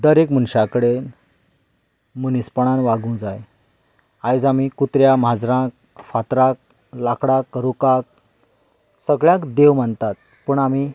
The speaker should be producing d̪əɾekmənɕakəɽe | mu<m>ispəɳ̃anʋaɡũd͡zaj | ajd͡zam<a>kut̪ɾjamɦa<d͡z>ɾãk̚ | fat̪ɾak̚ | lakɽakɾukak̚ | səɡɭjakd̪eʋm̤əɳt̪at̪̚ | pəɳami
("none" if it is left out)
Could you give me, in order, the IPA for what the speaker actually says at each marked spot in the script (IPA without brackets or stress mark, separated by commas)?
n, i, d͡z